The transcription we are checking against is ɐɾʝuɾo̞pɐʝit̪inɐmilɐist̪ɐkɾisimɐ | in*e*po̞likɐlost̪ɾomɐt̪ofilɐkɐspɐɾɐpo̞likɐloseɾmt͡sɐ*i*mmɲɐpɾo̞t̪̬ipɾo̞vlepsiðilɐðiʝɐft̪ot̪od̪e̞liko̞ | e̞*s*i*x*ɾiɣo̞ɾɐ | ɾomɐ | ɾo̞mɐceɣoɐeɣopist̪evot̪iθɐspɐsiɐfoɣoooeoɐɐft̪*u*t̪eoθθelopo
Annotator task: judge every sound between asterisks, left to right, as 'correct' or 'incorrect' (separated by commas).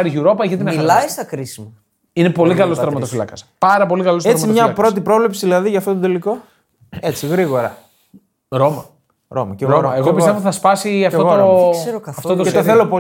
correct, correct, incorrect, incorrect, incorrect